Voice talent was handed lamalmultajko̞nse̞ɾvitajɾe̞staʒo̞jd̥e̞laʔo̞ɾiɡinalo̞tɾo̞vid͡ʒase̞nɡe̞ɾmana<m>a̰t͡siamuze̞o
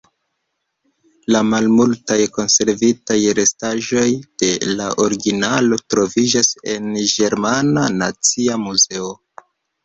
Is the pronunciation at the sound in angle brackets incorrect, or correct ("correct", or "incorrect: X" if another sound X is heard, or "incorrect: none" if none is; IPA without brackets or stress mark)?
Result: incorrect: n